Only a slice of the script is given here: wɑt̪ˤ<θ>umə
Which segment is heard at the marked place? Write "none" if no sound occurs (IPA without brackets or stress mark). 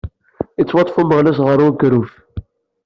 f